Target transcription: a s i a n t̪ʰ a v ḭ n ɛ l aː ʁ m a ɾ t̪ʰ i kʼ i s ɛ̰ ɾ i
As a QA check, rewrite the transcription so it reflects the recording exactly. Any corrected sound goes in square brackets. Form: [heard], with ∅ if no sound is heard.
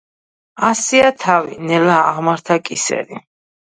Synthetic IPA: a s i a [∅] t̪ʰ a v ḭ n ɛ l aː ʁ m a ɾ t̪ʰ [a] kʼ i s ɛ̰ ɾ i